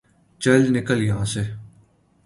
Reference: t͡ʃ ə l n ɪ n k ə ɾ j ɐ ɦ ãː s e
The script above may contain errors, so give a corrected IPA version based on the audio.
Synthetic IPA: t͡ʃ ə l n ɪ k ə l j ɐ ɦ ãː s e